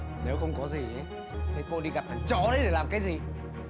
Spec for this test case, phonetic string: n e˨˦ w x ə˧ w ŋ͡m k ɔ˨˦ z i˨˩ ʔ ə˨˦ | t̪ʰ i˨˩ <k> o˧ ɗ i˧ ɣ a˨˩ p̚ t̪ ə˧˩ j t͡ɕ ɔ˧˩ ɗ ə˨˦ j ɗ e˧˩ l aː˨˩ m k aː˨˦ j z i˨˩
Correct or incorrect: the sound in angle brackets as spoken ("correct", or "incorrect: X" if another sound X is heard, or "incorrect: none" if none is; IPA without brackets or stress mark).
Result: correct